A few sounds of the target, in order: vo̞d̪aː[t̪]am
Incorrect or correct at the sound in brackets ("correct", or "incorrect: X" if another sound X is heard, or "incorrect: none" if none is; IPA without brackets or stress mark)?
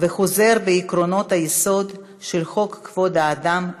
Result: incorrect: d̪